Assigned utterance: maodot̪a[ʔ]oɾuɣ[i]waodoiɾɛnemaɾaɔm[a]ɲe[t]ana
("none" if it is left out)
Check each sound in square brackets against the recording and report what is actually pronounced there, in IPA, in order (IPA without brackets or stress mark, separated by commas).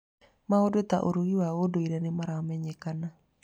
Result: ʔ, i, ɛ, k